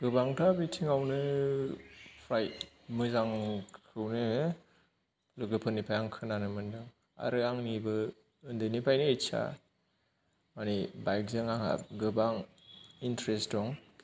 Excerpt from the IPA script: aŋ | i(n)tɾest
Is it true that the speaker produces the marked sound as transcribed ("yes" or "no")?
yes